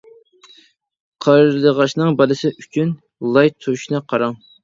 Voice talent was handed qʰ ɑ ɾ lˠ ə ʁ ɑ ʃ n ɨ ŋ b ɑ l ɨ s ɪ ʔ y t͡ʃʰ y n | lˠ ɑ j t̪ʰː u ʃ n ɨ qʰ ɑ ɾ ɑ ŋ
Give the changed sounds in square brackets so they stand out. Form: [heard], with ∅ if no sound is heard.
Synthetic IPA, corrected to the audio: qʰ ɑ ɾ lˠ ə ʁ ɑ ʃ n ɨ ŋ b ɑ l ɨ s ɪ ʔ y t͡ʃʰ y n | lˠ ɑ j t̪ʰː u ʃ n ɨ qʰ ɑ ɾ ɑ ŋ